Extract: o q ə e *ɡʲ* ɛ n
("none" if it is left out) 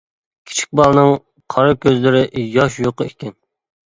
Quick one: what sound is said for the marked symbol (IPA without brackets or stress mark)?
kʲ